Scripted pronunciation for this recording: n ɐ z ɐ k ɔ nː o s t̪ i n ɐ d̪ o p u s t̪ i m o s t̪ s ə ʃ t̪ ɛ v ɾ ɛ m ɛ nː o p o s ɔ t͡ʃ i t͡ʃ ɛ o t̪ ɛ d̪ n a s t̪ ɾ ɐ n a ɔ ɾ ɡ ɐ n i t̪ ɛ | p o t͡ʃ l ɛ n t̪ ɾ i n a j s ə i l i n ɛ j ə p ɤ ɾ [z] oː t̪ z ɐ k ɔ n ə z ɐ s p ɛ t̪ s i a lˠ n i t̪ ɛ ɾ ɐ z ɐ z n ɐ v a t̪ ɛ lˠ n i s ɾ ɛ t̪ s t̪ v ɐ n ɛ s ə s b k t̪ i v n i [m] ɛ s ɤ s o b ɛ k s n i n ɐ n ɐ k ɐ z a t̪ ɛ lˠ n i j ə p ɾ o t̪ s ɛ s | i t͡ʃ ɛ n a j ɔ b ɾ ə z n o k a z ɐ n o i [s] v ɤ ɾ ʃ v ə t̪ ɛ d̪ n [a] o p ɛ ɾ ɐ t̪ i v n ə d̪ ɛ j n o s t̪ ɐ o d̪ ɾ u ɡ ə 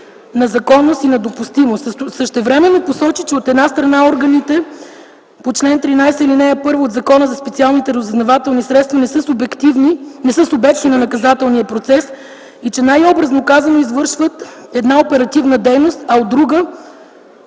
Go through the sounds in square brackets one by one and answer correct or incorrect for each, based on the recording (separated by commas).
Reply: incorrect, incorrect, incorrect, correct